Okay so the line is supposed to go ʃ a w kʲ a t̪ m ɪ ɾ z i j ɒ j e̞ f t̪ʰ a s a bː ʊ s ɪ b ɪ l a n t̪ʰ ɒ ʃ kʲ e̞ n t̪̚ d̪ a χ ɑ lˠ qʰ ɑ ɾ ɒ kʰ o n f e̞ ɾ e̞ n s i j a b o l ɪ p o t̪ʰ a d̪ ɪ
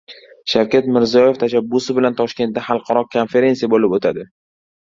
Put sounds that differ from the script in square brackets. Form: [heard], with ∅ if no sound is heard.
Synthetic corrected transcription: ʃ a w kʲ a t̪ m ɪ ɾ z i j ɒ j e̞ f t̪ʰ a [ʃ] a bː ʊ s ɪ b ɪ l a n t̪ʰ ɒ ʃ kʲ e̞ n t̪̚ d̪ a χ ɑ lˠ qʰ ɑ ɾ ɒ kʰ o n f e̞ ɾ e̞ n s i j a b o l ɪ p o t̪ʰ a d̪ ɪ